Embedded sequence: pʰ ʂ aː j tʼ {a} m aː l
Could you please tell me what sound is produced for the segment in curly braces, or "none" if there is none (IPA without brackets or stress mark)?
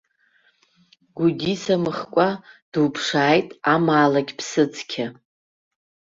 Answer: a